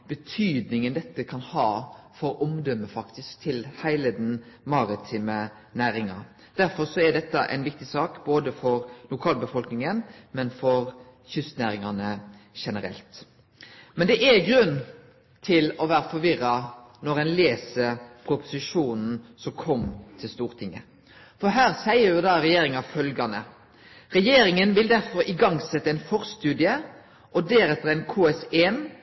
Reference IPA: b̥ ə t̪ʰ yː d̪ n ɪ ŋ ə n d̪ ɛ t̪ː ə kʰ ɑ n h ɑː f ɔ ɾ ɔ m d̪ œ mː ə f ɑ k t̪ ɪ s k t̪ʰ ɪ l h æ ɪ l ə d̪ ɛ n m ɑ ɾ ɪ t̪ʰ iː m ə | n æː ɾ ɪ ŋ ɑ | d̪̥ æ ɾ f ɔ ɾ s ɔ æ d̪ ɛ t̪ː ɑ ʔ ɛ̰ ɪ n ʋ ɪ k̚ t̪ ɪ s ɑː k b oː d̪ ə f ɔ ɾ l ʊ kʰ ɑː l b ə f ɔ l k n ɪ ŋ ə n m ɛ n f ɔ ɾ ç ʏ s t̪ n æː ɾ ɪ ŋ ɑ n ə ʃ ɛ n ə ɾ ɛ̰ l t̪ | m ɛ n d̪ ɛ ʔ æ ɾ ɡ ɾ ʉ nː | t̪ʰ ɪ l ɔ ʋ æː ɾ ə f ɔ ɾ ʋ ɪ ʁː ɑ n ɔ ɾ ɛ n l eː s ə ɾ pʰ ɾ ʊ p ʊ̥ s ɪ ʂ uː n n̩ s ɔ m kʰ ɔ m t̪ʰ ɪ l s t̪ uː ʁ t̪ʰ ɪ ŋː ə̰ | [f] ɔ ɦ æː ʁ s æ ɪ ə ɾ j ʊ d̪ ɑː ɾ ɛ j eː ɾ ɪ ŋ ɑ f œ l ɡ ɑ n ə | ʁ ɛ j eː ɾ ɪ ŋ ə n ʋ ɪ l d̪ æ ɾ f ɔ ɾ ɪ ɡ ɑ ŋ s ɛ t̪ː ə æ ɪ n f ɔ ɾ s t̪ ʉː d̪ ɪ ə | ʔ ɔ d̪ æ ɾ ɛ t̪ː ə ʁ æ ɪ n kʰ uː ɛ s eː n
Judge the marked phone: correct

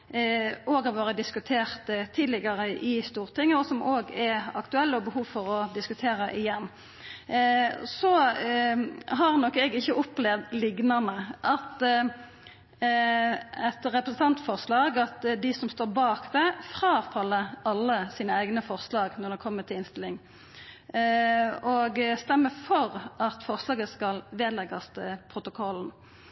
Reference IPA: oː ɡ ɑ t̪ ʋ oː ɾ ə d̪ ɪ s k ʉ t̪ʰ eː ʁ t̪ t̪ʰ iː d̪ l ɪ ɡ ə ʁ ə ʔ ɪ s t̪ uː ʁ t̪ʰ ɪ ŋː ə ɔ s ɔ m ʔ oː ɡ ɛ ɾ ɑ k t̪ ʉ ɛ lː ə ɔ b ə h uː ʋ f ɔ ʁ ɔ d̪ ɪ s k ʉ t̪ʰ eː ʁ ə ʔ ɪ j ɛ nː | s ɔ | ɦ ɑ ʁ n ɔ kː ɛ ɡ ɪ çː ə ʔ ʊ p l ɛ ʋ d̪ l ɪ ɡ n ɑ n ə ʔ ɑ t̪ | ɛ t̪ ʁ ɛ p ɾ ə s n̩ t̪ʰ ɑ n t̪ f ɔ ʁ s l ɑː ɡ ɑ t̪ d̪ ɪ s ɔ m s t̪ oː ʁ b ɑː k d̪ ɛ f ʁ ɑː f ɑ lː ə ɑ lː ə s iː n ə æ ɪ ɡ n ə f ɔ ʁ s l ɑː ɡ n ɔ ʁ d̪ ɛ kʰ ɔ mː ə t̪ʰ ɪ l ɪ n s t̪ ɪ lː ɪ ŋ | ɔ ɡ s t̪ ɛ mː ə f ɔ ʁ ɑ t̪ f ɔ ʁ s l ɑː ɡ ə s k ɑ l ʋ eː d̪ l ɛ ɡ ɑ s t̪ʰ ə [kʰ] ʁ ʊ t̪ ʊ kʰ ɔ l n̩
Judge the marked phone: incorrect: pʰ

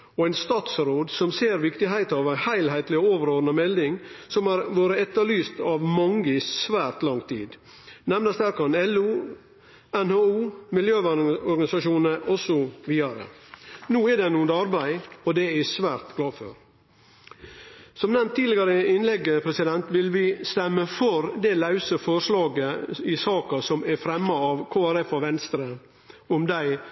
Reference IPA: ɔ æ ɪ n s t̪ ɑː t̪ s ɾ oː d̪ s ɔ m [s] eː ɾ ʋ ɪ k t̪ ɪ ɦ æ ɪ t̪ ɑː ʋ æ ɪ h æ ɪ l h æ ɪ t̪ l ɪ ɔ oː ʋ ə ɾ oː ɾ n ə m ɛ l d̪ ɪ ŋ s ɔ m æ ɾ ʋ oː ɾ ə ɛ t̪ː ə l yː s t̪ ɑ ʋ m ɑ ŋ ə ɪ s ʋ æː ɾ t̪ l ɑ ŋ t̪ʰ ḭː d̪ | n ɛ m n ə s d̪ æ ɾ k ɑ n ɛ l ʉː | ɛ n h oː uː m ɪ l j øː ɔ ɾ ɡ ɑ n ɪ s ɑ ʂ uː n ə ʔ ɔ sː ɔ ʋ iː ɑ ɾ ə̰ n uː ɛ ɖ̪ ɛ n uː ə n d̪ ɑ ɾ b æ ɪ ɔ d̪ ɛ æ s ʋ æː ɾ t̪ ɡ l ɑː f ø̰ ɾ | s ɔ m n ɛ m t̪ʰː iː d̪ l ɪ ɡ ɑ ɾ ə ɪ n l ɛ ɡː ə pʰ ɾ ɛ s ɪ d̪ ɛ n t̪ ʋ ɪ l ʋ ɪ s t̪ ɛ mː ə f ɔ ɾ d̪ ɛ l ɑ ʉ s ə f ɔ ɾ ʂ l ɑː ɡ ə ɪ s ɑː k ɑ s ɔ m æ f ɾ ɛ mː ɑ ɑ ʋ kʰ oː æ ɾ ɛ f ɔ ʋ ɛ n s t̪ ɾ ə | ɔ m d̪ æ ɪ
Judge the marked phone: correct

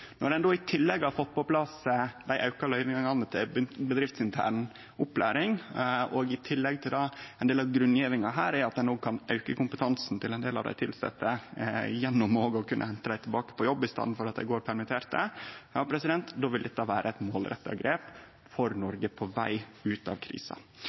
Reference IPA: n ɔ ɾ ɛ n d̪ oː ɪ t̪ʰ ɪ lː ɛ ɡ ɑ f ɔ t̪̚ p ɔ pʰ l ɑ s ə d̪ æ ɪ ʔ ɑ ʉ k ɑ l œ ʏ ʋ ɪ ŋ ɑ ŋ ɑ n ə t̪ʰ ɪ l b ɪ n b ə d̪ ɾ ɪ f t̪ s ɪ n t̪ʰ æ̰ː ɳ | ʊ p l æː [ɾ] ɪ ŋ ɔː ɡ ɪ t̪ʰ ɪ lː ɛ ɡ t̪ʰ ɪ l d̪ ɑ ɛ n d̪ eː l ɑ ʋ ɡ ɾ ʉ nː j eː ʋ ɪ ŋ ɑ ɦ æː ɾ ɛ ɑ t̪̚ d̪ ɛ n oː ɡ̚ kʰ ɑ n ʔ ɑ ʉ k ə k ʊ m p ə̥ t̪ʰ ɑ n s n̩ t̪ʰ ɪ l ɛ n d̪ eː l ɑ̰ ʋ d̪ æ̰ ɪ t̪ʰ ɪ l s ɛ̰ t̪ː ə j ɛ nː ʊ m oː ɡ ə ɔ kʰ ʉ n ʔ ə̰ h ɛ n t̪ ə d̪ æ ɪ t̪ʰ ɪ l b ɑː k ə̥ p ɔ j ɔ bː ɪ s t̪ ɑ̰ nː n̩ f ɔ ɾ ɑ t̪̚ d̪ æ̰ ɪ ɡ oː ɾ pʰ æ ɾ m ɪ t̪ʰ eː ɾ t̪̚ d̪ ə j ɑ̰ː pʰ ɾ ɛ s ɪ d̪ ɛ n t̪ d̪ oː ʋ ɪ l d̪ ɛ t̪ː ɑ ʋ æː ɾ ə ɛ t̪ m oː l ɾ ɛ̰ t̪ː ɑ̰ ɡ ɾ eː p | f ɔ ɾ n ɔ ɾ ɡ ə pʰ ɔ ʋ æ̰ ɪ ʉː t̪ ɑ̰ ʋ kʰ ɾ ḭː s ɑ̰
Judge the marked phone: correct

